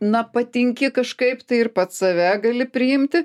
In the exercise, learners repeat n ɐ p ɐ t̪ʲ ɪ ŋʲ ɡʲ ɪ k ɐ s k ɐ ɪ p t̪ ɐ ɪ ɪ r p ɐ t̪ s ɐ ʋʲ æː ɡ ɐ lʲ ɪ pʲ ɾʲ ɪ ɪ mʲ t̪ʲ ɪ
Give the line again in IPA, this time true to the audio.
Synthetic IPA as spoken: n ɐ p ɐ t̪ʲ ɪ ŋʲ kʲ ɪ k ɐ ʃ k ɐ ɪ p t̪ ɐ ɪ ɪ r p ɐ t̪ s ɐ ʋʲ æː ɡ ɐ lʲ ɪ pʲ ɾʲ ɪ ɪ mʲ t̪ʲ ɪ